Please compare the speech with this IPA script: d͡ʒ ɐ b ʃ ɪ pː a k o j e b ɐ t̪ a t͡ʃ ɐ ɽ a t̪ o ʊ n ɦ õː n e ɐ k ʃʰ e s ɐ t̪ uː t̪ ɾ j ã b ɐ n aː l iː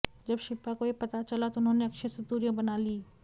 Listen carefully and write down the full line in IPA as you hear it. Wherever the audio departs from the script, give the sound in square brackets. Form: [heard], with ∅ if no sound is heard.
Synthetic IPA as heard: d͡ʒ ɐ b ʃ ɪ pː a k o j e [p] ɐ t̪ a t͡ʃ ɐ [l] a t̪ o ʊ n ɦ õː n e ɐ k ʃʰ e s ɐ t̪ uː [∅] ɾ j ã b ɐ n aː l iː